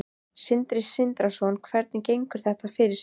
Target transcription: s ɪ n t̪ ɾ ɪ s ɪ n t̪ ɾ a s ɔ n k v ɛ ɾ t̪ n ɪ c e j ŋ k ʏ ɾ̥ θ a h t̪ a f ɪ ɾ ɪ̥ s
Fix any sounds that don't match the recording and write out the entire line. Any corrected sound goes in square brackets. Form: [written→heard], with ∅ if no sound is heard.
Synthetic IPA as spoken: s ɪ n t̪ ɾ ɪ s ɪ n t̪ ɾ a s ɔ n [k→kʰ] v ɛ ɾ t̪ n ɪ c e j ŋ k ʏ ɾ̥ θ [a→ɛ] h t̪ a f ɪ ɾ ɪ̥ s